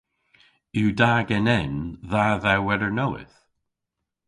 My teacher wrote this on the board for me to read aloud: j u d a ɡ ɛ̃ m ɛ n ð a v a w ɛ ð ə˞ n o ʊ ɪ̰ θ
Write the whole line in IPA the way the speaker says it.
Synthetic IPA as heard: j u d a ɡ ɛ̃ n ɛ n ð a ð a w ɛ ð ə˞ n o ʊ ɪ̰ θ